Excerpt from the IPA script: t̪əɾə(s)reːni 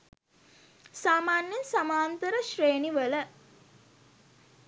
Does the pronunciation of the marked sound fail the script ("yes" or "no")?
yes